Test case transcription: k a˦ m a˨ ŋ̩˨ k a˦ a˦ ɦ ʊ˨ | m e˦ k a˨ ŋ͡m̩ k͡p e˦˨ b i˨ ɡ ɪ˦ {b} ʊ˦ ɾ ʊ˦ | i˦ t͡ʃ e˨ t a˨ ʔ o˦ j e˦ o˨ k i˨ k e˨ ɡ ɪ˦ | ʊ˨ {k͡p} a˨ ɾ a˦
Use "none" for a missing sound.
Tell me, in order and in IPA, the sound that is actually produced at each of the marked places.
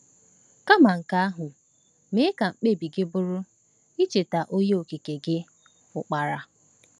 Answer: b, k͡p

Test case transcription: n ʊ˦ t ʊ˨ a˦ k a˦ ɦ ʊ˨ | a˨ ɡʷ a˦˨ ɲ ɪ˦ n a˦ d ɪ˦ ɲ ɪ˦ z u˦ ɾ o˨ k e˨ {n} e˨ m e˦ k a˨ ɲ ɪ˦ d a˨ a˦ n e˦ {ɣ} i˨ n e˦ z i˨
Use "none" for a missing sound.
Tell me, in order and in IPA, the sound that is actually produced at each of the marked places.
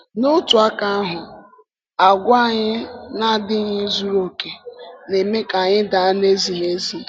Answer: n, z

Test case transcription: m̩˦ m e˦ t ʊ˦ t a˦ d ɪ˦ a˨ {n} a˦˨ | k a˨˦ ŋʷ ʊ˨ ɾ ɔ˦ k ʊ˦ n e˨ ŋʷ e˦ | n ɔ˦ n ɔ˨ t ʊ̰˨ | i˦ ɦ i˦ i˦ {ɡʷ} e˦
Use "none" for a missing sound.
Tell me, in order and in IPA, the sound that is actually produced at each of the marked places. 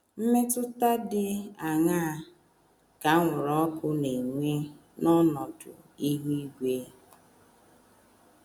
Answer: ŋ, ɡʷ

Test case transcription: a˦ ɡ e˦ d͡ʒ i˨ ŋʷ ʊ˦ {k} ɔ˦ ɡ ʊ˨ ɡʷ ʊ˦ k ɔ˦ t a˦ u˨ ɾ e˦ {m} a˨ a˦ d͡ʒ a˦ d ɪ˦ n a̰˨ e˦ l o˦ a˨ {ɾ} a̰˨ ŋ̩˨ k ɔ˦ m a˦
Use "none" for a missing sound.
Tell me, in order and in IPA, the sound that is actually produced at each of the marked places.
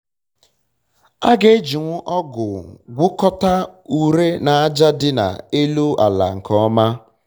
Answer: ʔ, n, l

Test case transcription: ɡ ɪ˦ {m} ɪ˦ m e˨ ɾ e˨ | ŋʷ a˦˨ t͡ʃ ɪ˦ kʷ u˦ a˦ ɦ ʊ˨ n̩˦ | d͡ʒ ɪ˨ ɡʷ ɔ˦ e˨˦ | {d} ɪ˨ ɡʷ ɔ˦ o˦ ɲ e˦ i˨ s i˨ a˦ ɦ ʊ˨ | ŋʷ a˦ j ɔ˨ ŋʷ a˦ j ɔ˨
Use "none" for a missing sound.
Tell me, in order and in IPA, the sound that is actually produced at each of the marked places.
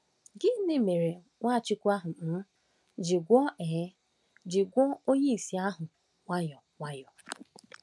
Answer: n, d͡ʒ

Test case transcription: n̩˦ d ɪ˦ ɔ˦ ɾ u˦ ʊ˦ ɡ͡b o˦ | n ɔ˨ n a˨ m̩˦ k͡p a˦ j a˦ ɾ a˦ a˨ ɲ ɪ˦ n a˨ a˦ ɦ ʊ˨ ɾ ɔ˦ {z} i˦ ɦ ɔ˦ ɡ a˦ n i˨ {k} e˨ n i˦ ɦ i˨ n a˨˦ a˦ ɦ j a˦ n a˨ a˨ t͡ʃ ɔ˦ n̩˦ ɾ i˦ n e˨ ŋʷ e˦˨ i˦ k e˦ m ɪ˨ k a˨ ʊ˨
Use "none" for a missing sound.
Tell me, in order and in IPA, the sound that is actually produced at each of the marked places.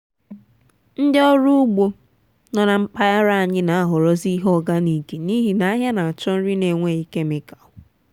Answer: z, k

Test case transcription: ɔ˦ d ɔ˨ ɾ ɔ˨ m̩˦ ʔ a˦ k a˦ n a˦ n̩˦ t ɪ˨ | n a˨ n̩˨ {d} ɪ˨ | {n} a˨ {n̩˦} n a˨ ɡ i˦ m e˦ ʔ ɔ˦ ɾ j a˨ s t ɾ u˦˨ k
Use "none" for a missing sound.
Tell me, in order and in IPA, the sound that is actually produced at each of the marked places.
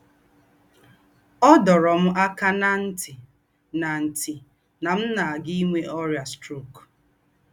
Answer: t, n, m̩˦

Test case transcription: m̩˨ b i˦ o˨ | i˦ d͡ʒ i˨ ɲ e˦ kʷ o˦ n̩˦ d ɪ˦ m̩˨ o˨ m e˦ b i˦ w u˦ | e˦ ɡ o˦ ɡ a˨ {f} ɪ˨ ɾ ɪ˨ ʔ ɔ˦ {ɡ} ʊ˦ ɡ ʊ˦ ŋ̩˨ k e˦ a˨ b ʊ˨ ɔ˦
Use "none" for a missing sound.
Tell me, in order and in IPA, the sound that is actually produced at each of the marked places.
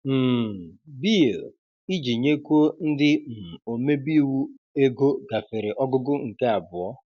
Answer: f, ɡ

